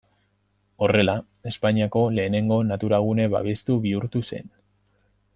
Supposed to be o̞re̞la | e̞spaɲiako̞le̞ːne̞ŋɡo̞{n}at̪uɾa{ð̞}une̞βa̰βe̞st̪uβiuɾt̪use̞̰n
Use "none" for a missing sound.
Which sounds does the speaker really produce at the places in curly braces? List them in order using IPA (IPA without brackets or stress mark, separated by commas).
n, ɣ̞